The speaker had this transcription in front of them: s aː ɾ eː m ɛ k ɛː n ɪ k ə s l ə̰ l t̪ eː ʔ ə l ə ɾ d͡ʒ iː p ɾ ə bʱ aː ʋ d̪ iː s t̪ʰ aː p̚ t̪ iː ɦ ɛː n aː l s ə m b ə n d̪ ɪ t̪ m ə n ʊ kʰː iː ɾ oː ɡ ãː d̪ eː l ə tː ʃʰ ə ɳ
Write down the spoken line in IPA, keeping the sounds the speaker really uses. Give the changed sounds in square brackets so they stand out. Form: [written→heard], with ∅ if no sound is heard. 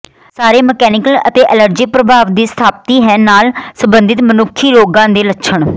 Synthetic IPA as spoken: s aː ɾ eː m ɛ k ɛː n ɪ k ə [s→∅] l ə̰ [l→∅] t̪ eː ʔ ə l ə ɾ d͡ʒ iː p ɾ ə bʱ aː ʋ d̪ iː s t̪ʰ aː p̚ t̪ iː ɦ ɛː n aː l s ə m b ə n d̪ ɪ t̪ m ə n ʊ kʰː iː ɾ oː ɡ ãː d̪ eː l ə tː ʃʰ ə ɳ